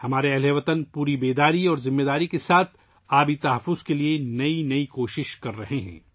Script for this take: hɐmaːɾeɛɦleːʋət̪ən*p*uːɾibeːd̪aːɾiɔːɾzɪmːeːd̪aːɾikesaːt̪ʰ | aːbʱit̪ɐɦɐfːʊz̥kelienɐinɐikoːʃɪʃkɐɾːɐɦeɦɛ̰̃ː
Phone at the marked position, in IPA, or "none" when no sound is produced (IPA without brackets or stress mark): p